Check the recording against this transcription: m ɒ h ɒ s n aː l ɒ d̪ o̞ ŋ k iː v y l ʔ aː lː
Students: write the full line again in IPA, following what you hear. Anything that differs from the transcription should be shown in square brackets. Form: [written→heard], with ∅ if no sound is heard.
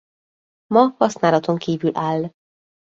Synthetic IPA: m ɒ h ɒ s n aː l ɒ [d̪→t̪] o̞ ŋ k iː v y l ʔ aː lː

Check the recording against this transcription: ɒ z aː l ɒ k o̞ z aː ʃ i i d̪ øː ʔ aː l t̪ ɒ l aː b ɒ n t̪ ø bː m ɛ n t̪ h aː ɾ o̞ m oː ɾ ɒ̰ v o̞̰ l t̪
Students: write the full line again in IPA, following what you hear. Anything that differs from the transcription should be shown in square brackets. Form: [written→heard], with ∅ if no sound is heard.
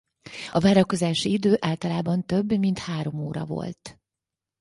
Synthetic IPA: ɒ [z→v] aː [l→ɾ] ɒ k o̞ z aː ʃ i i d̪ øː ʔ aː l t̪ ɒ l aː b ɒ n t̪ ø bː m [ɛ→i] n t̪ h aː ɾ o̞ m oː ɾ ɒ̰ v o̞̰ l t̪

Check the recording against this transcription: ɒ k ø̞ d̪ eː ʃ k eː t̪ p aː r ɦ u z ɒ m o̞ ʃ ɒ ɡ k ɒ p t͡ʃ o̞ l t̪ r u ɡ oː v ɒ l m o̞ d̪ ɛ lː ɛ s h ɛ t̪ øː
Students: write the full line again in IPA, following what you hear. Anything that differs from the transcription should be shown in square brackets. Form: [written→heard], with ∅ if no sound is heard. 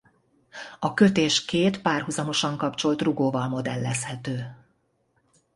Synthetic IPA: ɒ k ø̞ [d̪→t̪] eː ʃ k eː t̪ p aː r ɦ u z ɒ m o̞ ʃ ɒ [ɡ→ŋ] k ɒ p t͡ʃ o̞ l t̪ r u ɡ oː v ɒ l m o̞ d̪ ɛ lː ɛ s h ɛ t̪ øː

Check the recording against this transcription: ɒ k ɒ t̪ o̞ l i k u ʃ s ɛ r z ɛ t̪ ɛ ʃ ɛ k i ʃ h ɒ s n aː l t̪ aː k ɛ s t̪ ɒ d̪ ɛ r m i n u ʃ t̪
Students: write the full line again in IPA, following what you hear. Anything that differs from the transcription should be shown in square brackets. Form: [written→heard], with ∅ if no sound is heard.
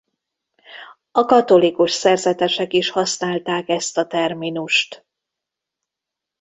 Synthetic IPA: ɒ k ɒ t̪ o̞ l i k u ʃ s ɛ r z ɛ t̪ ɛ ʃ ɛ k i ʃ h ɒ s n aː l t̪ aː k ɛ s t̪ ɒ [d̪→t̪] ɛ r m i n u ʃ t̪

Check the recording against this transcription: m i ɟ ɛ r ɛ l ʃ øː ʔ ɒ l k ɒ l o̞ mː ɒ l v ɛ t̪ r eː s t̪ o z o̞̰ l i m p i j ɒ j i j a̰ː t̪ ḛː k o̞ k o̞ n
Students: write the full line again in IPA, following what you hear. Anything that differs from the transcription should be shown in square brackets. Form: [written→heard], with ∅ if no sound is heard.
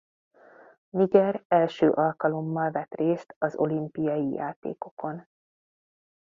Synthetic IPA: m i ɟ ɛ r ɛ l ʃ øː ʔ ɒ l k ɒ l o̞ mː ɒ l v ɛ t̪ r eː s t̪ [o→ɒ] z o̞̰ l i m p i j ɒ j i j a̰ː t̪ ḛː k o̞ k o̞ n

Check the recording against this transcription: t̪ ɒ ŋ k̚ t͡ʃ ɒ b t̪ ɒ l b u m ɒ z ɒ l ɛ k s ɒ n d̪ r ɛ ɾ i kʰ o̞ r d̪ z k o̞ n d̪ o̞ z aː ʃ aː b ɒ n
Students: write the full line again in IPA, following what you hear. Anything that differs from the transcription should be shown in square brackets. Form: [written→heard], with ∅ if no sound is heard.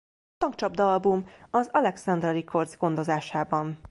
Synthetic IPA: t̪ ɒ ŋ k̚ t͡ʃ ɒ b [t̪→d̪] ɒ l b u m ɒ z ɒ l ɛ k s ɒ n d̪ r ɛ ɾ i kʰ o̞ r d̪ z [k→ɡ] o̞ n d̪ o̞ z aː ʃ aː b ɒ n

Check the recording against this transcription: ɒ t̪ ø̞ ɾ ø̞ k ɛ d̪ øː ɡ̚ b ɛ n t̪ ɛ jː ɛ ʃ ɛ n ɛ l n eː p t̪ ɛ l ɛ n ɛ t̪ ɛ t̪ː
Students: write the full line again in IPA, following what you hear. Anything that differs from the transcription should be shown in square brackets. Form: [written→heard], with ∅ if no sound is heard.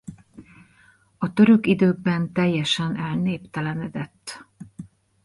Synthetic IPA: ɒ t̪ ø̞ ɾ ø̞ k [ɛ→i] d̪ øː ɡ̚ b ɛ n t̪ ɛ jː ɛ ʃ ɛ n ɛ l n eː p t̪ ɛ l ɛ n ɛ [t̪→d̪] ɛ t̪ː

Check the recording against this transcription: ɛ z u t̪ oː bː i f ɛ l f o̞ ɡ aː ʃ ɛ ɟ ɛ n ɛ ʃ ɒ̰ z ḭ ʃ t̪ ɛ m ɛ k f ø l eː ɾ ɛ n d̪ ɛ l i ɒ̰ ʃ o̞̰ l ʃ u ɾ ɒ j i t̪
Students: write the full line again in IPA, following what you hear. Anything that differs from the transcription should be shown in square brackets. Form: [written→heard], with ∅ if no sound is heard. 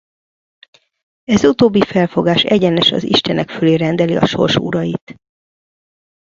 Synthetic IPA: ɛ z u t̪ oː bː i f ɛ l f o̞ ɡ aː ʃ ɛ ɟ ɛ n ɛ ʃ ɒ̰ z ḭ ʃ t̪ ɛ [m→n] ɛ k f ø l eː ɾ ɛ n d̪ ɛ l i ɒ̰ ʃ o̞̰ [l→r] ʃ u ɾ ɒ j i t̪

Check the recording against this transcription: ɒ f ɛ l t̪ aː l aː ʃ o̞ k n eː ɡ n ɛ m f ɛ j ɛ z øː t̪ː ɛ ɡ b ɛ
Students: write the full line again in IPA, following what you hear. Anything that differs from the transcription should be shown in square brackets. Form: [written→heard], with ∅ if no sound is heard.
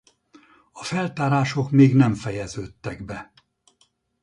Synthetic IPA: ɒ f ɛ l t̪ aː [l→ɾ] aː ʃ o̞ k [n→m] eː ɡ n ɛ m f ɛ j ɛ z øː t̪ː ɛ ɡ b ɛ

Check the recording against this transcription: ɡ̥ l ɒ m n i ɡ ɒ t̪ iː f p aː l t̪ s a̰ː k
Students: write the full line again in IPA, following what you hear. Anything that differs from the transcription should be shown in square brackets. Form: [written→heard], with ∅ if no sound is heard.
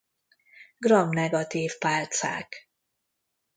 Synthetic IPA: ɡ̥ [l→r] ɒ m n [i→ɛ] ɡ ɒ t̪ iː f p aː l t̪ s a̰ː k

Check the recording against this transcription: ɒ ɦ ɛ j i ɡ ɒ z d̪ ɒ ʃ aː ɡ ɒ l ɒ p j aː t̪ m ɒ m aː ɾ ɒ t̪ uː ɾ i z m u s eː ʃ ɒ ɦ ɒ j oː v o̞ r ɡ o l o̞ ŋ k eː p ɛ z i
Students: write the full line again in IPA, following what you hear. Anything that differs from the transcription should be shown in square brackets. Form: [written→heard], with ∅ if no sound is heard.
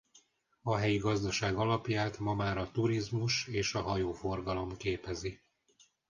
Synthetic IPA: ɒ ɦ ɛ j i ɡ ɒ z d̪ ɒ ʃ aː ɡ ɒ l ɒ p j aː t̪ m ɒ m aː ɾ ɒ t̪ [uː→u] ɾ i z m u [s→ʃ] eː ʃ ɒ ɦ ɒ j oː [v→f] o̞ r ɡ [o→ɒ] l o̞ [ŋ→m] k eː p ɛ z i

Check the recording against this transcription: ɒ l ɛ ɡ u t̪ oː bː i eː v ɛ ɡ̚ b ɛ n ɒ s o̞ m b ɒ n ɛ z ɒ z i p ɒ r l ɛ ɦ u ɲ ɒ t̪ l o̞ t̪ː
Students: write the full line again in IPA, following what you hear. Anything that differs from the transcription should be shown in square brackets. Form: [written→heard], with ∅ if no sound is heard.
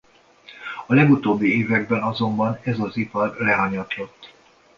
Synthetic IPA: ɒ l ɛ ɡ u t̪ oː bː i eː v ɛ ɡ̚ b ɛ n ɒ [s→z] o̞ m b ɒ n ɛ z ɒ z i p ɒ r l ɛ ɦ [u→ɒ] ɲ ɒ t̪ l o̞ t̪ː

